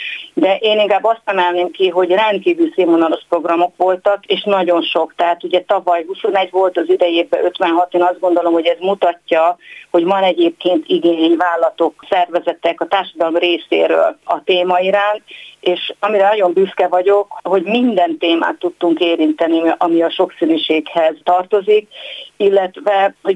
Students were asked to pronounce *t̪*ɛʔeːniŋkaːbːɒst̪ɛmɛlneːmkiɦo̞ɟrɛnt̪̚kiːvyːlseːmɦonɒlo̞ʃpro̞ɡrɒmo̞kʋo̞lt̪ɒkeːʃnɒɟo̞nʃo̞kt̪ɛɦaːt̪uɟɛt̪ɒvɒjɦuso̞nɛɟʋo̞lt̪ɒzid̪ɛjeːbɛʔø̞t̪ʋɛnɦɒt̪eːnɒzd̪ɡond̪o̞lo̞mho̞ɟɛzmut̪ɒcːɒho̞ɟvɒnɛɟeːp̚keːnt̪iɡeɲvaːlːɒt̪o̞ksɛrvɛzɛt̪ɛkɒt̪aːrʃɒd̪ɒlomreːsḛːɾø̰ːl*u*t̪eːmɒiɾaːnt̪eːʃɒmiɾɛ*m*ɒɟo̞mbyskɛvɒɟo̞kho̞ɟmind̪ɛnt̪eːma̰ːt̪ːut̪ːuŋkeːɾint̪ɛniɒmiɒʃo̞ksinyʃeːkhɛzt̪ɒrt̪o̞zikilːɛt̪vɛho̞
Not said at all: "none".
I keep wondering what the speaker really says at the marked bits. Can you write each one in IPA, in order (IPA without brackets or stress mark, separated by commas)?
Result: d̪, ɒ, n